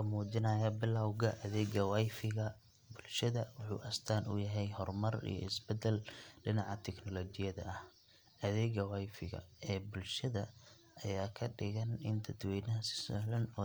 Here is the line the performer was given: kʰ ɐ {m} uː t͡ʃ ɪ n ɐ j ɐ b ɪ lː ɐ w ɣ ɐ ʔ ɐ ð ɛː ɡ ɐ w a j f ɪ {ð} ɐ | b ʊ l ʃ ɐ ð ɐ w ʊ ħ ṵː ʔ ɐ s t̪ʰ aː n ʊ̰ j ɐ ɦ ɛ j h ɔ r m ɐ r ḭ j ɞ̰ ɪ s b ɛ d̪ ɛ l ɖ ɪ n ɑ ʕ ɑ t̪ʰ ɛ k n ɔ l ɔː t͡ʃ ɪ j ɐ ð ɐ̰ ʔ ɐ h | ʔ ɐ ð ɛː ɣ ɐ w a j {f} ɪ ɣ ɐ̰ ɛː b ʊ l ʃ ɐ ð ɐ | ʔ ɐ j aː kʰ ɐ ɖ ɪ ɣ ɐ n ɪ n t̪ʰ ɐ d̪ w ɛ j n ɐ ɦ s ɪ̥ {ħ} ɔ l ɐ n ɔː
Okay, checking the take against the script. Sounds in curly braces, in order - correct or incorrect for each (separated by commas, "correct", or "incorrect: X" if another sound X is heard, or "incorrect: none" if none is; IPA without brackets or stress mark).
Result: correct, incorrect: ɣ, correct, incorrect: s